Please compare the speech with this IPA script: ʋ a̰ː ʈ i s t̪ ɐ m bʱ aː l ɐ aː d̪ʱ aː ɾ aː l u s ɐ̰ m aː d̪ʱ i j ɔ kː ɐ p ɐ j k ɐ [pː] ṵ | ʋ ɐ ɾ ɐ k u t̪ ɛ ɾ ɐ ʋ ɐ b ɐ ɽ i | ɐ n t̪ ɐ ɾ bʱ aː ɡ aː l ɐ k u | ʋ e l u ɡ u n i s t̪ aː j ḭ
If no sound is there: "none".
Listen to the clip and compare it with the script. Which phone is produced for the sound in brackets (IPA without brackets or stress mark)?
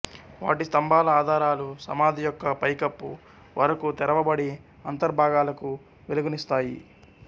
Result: pː